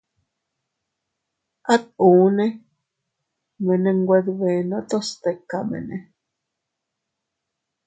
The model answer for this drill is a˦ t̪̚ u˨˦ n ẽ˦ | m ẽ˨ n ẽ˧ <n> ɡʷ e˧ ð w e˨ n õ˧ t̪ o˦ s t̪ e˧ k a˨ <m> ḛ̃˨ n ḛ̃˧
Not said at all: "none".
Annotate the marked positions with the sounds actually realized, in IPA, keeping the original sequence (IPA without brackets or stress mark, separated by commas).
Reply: ŋ, m